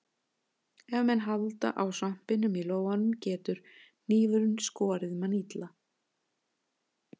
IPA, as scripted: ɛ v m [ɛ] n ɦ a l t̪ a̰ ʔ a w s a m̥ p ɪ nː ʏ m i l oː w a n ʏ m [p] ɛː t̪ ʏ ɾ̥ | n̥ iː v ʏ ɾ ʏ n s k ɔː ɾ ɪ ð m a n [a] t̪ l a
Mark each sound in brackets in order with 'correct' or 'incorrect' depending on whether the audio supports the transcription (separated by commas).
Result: correct, incorrect, incorrect